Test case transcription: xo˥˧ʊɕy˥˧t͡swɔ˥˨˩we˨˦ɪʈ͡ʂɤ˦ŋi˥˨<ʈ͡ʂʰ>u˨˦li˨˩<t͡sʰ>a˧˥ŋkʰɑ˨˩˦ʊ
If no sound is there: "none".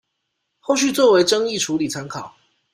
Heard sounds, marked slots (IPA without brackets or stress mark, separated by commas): ʈ͡ʂʰ, t͡sʰ